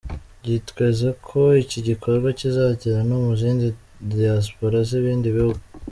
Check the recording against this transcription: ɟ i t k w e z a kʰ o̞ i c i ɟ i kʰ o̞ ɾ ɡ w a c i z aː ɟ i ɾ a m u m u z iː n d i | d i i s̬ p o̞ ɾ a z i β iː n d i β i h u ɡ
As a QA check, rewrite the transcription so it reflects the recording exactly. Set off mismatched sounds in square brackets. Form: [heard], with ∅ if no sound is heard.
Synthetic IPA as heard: ɟ i t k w e z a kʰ o̞ i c i ɟ i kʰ o̞ ɾ ɡ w a c i z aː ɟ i ɾ a [n] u m u z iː n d i | d i [a] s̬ p o̞ ɾ a z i β iː n d i β i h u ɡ